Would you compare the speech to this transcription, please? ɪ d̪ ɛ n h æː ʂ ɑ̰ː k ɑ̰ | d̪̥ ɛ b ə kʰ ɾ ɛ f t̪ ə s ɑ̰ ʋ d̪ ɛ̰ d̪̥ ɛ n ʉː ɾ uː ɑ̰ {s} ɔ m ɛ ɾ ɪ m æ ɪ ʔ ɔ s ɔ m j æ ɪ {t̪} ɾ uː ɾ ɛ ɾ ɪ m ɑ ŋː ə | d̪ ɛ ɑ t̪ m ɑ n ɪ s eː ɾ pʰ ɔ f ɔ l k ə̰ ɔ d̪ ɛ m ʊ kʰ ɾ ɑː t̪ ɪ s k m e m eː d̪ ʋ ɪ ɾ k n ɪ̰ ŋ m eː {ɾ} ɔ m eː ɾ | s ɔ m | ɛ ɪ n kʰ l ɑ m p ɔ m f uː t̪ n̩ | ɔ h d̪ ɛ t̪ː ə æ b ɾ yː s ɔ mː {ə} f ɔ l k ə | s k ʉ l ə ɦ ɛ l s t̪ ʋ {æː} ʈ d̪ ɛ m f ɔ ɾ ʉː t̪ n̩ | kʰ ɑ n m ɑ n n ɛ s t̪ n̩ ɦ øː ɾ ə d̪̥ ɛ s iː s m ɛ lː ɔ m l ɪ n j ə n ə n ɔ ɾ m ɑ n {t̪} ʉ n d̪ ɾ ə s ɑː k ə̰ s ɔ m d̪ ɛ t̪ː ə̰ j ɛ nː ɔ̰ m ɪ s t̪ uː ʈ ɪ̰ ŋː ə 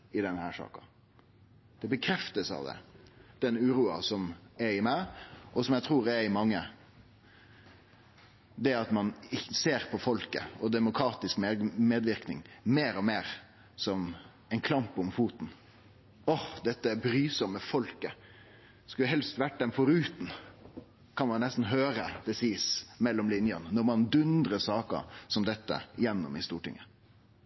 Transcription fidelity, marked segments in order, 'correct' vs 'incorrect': correct, incorrect: t̪ʰ, correct, correct, incorrect: æ, incorrect: d̪

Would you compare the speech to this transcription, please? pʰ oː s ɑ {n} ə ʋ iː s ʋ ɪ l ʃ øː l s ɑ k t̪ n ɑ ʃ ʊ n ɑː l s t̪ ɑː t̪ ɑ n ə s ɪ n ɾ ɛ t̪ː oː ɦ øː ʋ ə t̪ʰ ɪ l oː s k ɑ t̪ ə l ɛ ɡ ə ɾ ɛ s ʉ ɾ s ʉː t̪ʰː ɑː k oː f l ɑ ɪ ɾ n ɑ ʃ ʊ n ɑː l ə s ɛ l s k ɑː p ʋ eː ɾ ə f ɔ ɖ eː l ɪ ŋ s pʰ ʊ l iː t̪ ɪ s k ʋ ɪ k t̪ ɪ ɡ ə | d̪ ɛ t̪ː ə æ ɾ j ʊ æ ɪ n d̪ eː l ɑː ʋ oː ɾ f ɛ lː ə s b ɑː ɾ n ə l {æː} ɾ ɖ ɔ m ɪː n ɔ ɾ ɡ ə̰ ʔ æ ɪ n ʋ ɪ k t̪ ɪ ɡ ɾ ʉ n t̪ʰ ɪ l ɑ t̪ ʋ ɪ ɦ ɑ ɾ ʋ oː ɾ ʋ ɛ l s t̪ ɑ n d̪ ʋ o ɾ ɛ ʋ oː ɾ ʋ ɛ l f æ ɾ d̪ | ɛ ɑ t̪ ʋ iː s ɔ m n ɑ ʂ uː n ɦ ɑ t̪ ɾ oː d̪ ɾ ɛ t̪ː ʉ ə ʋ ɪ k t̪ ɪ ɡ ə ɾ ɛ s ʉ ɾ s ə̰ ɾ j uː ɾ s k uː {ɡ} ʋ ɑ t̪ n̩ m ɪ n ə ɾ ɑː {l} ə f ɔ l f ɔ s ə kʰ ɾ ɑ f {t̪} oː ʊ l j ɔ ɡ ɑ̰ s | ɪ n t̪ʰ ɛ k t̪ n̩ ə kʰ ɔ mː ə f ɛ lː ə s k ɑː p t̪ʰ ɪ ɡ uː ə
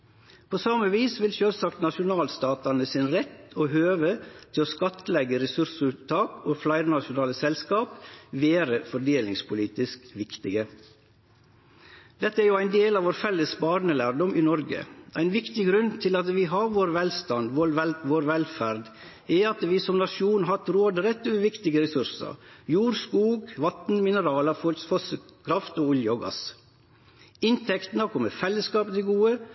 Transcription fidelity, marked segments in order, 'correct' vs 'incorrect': incorrect: m, correct, correct, correct, correct

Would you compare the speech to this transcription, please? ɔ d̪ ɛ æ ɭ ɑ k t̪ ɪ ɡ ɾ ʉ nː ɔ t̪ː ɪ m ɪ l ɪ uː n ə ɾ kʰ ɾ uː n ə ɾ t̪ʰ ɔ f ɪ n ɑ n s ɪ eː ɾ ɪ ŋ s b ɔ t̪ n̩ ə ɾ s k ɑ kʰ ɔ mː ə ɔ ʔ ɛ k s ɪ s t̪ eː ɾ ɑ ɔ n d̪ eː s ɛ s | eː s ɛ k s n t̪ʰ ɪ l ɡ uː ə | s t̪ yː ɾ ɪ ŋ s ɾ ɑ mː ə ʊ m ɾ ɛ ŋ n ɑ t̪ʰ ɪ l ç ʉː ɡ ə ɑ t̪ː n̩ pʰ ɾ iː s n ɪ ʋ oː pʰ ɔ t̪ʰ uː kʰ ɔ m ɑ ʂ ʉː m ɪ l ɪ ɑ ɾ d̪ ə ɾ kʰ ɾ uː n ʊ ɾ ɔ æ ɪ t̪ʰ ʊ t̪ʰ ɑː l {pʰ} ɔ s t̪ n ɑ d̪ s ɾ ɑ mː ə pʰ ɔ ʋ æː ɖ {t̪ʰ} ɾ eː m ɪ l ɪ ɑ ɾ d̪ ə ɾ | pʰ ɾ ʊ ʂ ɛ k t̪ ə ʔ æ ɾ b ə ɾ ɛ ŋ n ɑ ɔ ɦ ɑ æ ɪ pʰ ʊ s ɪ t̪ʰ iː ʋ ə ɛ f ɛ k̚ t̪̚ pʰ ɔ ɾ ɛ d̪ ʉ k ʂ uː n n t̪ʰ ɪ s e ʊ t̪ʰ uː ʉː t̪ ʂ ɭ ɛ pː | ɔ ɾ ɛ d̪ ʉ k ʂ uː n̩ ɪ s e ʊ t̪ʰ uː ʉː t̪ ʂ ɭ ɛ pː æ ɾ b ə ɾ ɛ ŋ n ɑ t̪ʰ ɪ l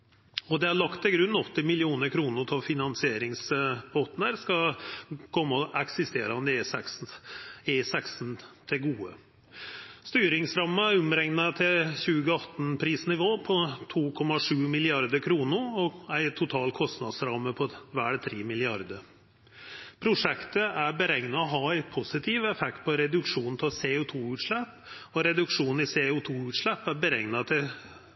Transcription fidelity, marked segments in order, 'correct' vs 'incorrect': incorrect: kʰ, correct

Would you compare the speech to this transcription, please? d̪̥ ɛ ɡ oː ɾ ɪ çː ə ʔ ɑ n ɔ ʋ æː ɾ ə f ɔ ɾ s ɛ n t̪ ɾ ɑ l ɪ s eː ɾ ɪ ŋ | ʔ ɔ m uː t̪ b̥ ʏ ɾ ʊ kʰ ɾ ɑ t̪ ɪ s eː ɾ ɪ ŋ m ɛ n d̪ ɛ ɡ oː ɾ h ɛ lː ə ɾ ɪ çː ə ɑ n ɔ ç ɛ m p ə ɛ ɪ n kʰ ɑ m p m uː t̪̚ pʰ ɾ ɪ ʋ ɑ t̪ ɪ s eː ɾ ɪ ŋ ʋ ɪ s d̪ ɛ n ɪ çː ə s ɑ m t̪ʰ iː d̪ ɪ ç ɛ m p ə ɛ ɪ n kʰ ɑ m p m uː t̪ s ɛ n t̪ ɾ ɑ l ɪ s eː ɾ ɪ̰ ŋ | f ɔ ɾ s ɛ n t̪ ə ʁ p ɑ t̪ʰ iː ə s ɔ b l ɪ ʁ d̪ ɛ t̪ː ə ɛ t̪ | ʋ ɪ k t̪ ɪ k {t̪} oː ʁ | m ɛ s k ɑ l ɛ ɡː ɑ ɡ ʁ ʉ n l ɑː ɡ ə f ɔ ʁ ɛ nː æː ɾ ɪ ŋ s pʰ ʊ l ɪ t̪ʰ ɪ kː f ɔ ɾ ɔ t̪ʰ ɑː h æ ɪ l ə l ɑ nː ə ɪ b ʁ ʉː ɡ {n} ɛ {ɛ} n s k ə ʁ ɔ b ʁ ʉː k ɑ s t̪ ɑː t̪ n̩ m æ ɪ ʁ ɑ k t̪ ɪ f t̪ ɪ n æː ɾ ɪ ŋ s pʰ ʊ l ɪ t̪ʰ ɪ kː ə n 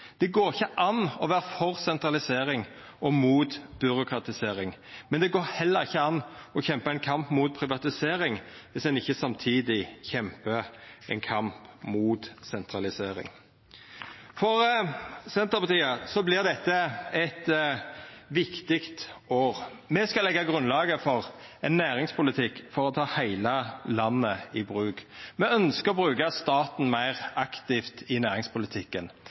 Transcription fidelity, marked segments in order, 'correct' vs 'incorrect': correct, incorrect: m, incorrect: œ

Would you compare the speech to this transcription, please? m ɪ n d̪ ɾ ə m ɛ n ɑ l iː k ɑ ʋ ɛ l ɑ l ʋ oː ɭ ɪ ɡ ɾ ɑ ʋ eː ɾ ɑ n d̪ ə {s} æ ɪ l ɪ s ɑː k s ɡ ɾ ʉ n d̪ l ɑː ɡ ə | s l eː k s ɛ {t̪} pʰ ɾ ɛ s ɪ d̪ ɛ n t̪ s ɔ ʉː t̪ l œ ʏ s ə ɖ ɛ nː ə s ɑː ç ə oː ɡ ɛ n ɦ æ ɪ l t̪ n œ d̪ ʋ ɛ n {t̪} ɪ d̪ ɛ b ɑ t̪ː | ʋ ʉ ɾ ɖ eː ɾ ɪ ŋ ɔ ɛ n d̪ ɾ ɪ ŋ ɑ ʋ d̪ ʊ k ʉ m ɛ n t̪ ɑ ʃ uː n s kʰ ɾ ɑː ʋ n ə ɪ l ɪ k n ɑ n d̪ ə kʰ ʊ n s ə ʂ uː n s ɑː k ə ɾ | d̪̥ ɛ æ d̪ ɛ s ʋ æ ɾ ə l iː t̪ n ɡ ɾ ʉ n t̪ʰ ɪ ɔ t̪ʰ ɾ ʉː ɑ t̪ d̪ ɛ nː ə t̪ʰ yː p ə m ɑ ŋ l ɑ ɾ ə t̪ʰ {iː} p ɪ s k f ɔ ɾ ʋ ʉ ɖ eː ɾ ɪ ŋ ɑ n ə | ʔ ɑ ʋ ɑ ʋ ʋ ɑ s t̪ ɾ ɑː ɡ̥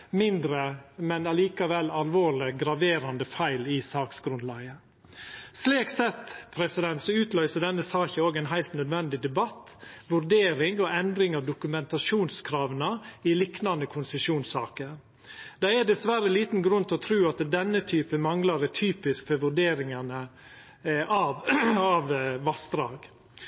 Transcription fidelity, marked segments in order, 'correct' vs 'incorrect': incorrect: f, correct, incorrect: d̪, incorrect: yː

